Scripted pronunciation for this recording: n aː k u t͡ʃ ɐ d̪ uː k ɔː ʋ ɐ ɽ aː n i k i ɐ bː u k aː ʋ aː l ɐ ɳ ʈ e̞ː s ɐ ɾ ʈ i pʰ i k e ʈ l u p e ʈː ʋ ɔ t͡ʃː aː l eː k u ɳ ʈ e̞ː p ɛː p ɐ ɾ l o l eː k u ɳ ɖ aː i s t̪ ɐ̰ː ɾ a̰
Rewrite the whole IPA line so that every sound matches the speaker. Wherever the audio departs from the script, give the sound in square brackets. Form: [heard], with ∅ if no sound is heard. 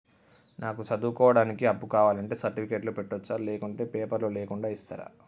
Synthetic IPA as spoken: n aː k u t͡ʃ ɐ d̪ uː k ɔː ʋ ɐ ɽ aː n i k i ɐ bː u k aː ʋ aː l ɐ ɳ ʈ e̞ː s ɐ ɾ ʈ i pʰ i k e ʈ l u p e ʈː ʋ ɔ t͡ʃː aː l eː k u ɳ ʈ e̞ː p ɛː p ɐ ɾ l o l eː k u ɳ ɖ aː i s t̪ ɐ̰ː ɾ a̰